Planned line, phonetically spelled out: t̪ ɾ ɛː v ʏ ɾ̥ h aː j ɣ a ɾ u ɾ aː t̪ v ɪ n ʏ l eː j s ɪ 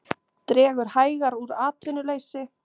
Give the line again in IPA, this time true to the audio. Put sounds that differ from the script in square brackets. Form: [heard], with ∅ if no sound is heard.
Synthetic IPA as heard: t̪ ɾ ɛː [ɣ] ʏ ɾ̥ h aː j ɣ a ɾ u ɾ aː t̪ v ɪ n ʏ l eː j s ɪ